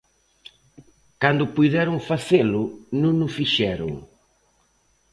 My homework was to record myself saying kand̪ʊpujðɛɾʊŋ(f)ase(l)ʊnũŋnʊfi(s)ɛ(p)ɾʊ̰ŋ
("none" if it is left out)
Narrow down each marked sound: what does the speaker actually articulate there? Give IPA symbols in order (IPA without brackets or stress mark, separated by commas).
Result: f, l, ʃ, none